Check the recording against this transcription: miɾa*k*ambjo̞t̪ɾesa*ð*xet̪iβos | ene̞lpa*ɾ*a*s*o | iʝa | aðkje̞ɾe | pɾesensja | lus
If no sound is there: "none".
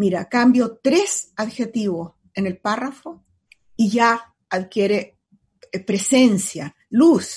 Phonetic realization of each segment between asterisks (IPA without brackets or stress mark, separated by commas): k, ð, r, f